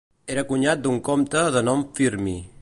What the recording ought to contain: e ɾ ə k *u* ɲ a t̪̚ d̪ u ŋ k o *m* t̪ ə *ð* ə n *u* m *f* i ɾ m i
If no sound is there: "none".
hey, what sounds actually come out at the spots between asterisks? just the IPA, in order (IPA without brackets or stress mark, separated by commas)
u, m, ð, ɔ, f